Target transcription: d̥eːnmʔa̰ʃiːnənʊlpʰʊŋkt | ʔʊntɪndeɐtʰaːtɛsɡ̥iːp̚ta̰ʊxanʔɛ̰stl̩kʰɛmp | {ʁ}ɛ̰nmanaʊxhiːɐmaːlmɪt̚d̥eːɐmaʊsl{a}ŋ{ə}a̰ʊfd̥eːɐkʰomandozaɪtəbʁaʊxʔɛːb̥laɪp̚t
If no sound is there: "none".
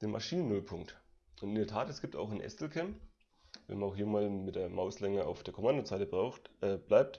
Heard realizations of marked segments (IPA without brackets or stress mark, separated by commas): v, ɛ, ə